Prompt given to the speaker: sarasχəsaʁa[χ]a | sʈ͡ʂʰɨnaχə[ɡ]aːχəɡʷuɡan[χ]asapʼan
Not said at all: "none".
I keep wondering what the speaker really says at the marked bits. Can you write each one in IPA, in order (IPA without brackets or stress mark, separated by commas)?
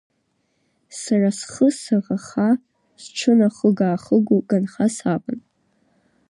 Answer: χ, ɡ, χ